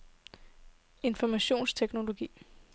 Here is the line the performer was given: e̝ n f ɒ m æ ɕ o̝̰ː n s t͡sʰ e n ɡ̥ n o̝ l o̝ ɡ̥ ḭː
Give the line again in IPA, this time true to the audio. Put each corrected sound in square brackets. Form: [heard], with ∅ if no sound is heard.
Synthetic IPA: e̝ n f ɒ m æ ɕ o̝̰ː n s t͡sʰ e [∅] ɡ̥ n o̝ l o̝ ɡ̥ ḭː

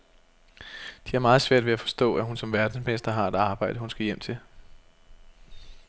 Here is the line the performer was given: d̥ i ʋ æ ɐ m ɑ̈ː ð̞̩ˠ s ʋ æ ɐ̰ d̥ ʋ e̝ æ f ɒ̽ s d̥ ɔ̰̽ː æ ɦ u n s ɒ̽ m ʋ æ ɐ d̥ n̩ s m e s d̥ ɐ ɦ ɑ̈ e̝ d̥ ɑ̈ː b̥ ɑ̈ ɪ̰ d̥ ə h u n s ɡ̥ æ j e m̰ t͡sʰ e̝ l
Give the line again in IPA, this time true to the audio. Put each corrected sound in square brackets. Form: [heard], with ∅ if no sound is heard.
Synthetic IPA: d̥ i [∅] æ ɐ m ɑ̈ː ð̞̩ˠ s ʋ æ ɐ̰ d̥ ʋ e̝ æ f ɒ̽ s d̥ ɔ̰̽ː æ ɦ u n s ɒ̽ m ʋ æ ɐ d̥ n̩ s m e s d̥ ɐ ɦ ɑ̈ e̝ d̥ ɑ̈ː b̥ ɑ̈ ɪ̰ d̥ ə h u n s ɡ̥ æ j e m̰ t͡sʰ e̝ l

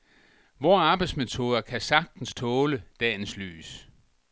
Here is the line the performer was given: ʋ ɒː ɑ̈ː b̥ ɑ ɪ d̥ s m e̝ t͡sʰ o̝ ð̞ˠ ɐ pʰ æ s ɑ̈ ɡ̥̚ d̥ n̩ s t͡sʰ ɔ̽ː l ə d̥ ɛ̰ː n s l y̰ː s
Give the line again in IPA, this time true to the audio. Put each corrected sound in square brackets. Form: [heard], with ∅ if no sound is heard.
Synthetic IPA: ʋ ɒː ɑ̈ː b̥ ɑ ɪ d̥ s m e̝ t͡sʰ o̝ ð̞ˠ ɐ [kʰ] æ s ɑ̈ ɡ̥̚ d̥ n̩ s t͡sʰ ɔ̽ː l ə d̥ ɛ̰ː n s l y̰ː s

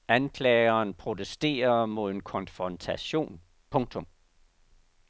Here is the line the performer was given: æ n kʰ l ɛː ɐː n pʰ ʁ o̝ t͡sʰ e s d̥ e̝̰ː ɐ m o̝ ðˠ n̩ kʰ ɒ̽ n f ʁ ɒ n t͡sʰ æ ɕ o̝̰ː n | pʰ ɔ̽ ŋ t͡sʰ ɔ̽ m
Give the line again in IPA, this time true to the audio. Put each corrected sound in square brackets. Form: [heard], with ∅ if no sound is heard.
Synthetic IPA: æ n kʰ l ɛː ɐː n pʰ ʁ o̝ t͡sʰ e s d̥ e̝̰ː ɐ m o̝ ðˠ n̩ kʰ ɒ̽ n f ʁ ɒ n t͡sʰ æ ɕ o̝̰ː n | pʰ ɔ̽ ŋ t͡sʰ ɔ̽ m

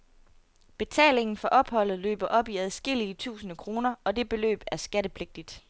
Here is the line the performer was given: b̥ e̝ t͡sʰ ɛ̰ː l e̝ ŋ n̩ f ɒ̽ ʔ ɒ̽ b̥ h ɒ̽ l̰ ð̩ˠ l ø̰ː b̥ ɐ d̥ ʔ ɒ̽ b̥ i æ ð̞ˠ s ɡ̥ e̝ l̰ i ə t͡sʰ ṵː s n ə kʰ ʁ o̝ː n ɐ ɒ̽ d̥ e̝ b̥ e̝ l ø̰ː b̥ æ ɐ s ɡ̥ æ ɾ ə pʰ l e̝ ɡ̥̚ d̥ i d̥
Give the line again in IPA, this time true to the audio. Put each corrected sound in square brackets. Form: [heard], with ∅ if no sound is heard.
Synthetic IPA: b̥ e̝ t͡sʰ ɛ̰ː l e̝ ŋ n̩ f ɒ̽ ʔ ɒ̽ b̥ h ɒ̽ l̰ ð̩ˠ l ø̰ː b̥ ɐ [∅] ʔ ɒ̽ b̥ i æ ð̞ˠ s ɡ̥ e̝ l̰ i ə t͡sʰ ṵː s n ə kʰ ʁ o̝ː n ɐ ɒ̽ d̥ e̝ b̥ e̝ l ø̰ː b̥ æ ɐ s ɡ̥ æ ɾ ə pʰ l e̝ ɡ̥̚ d̥ i d̥

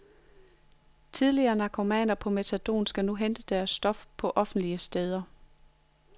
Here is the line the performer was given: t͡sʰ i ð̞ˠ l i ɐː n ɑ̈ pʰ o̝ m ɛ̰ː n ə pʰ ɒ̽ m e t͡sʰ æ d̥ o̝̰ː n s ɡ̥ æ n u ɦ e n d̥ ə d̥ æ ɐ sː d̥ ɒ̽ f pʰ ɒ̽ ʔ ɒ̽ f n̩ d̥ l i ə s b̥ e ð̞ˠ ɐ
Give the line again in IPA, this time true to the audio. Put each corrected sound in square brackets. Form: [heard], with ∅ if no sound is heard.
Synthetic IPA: t͡sʰ i ð̞ˠ l i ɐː n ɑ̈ [kʰ] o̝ m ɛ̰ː n [ɐ] pʰ ɒ̽ m e t͡sʰ æ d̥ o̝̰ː n s ɡ̥ æ n u ɦ e n d̥ ə d̥ æ ɐ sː d̥ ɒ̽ f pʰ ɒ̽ ʔ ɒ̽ f n̩ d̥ l i ə s [d̥] e ð̞ˠ ɐ

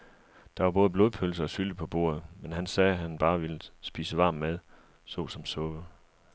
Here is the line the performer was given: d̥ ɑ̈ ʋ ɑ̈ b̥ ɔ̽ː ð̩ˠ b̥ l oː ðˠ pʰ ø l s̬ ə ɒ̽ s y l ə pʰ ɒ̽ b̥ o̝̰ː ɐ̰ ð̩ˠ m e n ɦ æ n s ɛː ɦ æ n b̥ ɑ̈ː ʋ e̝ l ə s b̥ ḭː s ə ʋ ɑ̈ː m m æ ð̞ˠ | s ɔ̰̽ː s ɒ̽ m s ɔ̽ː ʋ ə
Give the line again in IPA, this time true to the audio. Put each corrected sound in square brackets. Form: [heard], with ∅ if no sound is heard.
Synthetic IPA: d̥ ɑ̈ ʋ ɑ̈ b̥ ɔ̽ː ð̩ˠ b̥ l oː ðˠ pʰ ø l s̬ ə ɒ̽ s y l ə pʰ ɒ̽ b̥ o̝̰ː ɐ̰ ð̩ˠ m e n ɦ æ n s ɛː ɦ æ n b̥ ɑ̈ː ʋ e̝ l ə s b̥ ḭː s ə ʋ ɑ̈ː m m [e] ð̞ˠ | s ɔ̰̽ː s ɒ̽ m s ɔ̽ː ʋ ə

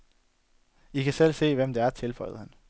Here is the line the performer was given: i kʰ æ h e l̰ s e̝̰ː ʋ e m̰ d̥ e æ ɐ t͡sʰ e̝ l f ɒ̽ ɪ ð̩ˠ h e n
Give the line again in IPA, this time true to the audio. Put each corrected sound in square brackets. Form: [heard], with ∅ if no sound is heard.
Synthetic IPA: i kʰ æ [s] e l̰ s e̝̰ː ʋ e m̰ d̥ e æ ɐ t͡sʰ e̝ l f ɒ̽ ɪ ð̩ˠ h [æ] n

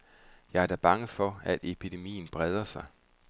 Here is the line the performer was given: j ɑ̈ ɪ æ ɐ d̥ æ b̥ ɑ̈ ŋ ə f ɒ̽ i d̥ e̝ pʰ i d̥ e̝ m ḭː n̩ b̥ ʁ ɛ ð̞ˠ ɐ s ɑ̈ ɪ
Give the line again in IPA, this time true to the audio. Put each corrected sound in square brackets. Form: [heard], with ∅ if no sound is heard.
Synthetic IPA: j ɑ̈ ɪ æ ɐ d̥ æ b̥ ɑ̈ ŋ ə f ɒ̽ [æ] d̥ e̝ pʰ i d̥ e̝ m ḭː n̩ b̥ ʁ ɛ ð̞ˠ ɐ s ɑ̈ ɪ

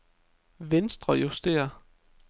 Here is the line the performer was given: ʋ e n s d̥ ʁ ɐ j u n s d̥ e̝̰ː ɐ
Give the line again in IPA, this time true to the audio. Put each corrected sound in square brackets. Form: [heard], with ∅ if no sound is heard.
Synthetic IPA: ʋ e n s d̥ ʁ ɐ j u [∅] s d̥ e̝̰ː ɐ

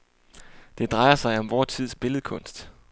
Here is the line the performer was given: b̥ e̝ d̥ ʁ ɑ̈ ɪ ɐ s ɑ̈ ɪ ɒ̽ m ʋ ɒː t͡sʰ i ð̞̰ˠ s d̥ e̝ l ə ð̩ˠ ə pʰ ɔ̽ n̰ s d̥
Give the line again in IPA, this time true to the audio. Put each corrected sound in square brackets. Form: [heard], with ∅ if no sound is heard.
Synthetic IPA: [d̥] e̝ d̥ ʁ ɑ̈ ɪ ɐ s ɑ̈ ɪ ɒ̽ m ʋ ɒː t͡sʰ i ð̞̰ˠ s [b̥] e̝ l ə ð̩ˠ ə [kʰ] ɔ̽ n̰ s d̥

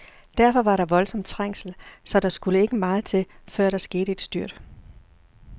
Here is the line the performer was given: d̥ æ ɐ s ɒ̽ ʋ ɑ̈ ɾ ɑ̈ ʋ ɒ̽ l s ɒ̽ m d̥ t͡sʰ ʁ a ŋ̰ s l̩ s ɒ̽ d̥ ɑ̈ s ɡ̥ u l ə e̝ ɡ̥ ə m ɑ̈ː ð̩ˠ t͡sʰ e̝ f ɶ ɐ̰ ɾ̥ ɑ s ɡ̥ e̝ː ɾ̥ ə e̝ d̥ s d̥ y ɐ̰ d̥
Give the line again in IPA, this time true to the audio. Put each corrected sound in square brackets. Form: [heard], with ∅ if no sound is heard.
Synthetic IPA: d̥ æ ɐ [f] ɒ̽ ʋ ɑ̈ ɾ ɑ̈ ʋ ɒ̽ l s ɒ̽ m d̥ t͡sʰ ʁ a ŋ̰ s l̩ s ɒ̽ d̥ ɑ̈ s ɡ̥ u l ə e̝ ɡ̥ ə m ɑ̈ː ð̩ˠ t͡sʰ e̝ f ɶ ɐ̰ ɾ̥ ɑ s ɡ̥ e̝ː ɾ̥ ə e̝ d̥ s d̥ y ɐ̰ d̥

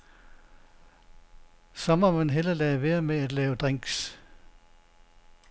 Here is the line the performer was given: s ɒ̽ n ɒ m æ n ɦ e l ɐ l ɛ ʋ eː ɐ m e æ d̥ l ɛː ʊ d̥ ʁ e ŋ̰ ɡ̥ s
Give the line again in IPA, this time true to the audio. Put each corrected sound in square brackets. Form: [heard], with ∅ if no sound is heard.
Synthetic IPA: s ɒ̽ [m] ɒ m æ n ɦ e l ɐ l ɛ ʋ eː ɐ m e æ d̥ l ɛː ʊ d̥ ʁ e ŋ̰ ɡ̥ s

